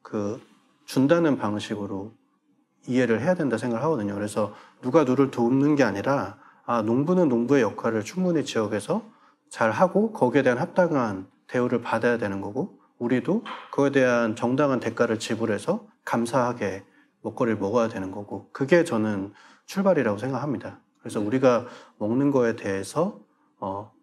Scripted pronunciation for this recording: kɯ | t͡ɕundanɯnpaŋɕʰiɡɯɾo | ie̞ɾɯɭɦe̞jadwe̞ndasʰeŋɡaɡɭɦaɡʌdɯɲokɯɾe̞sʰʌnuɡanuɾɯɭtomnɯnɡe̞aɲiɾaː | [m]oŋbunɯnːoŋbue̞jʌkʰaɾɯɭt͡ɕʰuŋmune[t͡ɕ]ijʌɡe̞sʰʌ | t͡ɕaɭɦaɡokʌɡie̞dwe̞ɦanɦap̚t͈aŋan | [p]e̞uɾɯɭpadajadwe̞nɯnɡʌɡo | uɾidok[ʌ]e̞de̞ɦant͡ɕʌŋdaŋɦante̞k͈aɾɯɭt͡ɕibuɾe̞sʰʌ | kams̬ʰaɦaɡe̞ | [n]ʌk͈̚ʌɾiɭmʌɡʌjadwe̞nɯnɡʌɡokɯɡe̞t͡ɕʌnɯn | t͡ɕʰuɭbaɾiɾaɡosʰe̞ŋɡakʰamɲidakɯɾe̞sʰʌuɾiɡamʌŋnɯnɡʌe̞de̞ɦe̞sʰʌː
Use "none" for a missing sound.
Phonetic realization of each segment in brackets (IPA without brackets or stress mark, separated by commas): n, t͡ɕ, t, ʌ, m